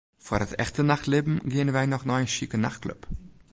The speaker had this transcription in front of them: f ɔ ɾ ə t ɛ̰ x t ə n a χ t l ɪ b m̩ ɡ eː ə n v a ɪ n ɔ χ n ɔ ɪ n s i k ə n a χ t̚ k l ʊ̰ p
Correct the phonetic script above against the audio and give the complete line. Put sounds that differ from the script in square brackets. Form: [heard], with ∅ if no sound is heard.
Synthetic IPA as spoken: f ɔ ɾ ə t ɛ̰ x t ə n a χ t l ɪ b m̩ ɡ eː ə n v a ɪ n ɔ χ n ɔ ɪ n [ʃ] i k ə n a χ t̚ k l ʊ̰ p